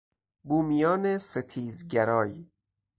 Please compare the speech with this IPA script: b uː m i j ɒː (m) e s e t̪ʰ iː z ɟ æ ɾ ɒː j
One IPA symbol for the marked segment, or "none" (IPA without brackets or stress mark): n